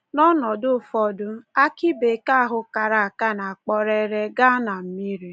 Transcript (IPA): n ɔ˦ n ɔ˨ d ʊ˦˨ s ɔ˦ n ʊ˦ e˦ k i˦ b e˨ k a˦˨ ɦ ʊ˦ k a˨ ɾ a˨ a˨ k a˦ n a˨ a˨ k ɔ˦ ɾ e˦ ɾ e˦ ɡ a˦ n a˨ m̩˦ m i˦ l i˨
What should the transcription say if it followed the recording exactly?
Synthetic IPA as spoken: n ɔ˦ n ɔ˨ d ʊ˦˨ f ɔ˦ d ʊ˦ a˦ k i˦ b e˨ k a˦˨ ɦ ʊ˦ k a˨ ɾ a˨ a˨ k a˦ n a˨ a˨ k͡p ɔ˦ ɾ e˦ ɾ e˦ ɡ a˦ n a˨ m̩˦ m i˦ ɾ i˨